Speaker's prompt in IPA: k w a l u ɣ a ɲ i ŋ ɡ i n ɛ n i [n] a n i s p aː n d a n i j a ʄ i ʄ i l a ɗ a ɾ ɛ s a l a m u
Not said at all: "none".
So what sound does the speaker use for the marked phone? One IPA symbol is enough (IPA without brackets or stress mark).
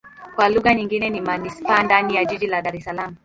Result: m